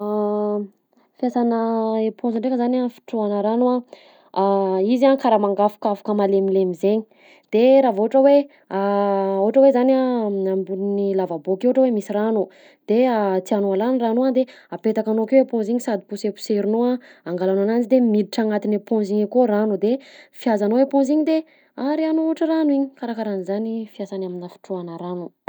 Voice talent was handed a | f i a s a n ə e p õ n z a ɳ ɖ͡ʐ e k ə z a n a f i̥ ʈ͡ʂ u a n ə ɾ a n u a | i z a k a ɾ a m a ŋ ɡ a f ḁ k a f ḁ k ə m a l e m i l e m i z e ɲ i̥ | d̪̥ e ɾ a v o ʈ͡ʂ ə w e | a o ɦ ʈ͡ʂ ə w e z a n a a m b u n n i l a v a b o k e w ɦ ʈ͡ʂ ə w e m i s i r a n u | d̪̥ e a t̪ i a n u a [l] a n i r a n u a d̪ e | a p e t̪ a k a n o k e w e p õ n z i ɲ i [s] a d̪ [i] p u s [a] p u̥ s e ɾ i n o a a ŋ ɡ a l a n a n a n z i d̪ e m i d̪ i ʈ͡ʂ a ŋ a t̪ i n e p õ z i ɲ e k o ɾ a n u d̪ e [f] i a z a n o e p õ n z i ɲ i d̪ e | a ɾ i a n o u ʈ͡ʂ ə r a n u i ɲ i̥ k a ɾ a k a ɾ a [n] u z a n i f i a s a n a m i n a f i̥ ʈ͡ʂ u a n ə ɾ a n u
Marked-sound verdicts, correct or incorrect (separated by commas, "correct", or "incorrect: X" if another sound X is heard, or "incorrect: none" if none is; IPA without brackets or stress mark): correct, correct, correct, incorrect: e, correct, correct